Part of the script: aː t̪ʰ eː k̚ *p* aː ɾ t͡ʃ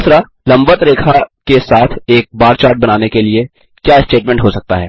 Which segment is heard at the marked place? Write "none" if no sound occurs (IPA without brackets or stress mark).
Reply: b